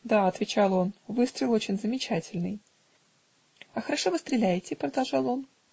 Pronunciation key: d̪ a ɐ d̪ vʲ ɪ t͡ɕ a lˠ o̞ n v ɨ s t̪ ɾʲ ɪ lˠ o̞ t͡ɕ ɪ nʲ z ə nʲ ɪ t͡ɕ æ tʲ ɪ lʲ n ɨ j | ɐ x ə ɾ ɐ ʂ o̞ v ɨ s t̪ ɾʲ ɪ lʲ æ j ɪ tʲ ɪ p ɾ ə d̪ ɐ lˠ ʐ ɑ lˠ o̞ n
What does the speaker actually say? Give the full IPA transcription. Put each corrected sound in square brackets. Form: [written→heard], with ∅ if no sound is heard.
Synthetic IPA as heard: d̪ a ɐ [d̪→t̪] vʲ ɪ t͡ɕ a lˠ o̞ n v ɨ s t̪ ɾʲ ɪ lˠ o̞ t͡ɕ ɪ nʲ z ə [nʲ→mʲ] ɪ t͡ɕ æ tʲ ɪ lʲ n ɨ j | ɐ x ə ɾ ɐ ʂ o̞ v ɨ s t̪ ɾʲ ɪ lʲ æ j ɪ tʲ ɪ p ɾ ə d̪ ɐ lˠ ʐ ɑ lˠ o̞ n